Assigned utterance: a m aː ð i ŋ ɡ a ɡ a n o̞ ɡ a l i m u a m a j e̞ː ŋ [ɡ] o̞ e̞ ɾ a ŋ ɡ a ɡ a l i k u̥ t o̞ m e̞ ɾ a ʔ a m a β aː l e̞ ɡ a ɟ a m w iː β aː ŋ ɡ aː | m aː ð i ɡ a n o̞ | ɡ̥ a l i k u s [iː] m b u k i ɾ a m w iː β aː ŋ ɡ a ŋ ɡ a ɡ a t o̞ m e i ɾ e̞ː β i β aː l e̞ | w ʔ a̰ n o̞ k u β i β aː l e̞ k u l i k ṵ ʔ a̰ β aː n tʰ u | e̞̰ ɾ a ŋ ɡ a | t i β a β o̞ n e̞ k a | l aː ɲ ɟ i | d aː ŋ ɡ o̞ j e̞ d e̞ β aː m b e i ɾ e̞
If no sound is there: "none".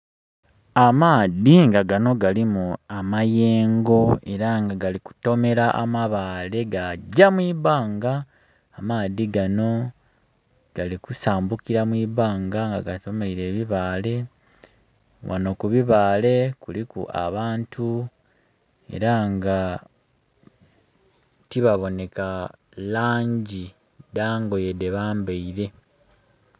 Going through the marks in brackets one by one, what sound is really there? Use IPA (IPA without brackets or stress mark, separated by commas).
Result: ɡ, aː